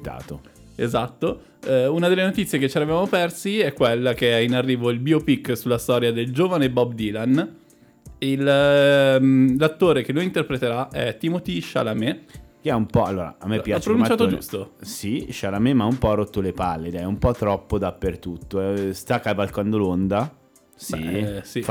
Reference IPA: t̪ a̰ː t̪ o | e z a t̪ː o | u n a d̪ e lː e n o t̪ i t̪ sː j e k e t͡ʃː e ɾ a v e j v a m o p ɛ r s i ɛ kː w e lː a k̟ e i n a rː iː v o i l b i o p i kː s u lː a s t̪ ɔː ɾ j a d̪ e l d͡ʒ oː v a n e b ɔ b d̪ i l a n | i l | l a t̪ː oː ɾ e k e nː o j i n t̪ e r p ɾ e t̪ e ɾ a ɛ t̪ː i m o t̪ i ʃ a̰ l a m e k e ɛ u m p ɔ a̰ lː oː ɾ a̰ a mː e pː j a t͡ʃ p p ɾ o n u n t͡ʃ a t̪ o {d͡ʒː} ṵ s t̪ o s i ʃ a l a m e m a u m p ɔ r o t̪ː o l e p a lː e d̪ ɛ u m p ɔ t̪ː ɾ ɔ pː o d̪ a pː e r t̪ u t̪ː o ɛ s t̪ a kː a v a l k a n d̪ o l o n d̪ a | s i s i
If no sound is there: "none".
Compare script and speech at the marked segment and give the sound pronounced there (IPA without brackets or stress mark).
d͡ʒ